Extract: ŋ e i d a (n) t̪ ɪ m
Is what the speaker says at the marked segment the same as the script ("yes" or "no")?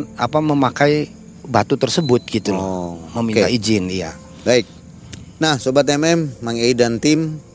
yes